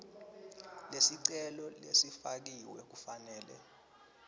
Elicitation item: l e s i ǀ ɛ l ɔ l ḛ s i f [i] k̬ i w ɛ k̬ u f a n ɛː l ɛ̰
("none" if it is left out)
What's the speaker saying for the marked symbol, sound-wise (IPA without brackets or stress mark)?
a